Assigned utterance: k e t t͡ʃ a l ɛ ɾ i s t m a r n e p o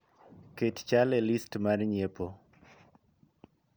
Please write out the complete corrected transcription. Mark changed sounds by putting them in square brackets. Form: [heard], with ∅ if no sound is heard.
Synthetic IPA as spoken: k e t t͡ʃ a l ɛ [l] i s t m a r [ɲ] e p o